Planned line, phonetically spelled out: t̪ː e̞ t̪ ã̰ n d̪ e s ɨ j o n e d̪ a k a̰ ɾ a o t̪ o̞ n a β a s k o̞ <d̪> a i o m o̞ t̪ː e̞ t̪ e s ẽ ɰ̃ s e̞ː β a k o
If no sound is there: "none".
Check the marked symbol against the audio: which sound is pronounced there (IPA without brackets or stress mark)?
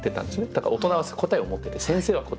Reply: t̪